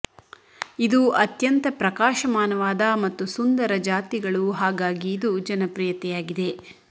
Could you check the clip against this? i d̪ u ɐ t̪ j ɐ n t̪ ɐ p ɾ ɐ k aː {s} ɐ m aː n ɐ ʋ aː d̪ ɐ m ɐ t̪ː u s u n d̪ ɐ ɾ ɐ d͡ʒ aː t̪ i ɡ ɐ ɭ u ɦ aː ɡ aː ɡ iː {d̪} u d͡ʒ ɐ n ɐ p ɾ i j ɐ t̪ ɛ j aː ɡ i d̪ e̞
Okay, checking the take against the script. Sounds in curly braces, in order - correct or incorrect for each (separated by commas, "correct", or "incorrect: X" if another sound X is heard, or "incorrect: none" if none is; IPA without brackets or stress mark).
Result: incorrect: ʃ, correct